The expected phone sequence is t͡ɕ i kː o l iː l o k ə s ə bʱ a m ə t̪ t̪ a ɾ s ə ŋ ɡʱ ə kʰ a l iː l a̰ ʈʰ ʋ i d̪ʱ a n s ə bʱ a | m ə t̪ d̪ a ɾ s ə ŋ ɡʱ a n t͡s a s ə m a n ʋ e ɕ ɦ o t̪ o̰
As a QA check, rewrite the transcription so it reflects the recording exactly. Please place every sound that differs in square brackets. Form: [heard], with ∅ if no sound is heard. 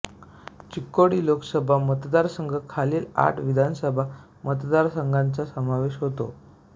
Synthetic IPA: t͡ɕ i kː o [ɽ] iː l o k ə s ə bʱ a m ə t̪ [d̪] a ɾ s ə ŋ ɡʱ ə kʰ a l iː l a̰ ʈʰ ʋ i d̪ʱ a n s ə bʱ a | m ə t̪ d̪ a ɾ s ə ŋ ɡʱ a n t͡s a s ə m a [∅] ʋ e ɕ ɦ o t̪ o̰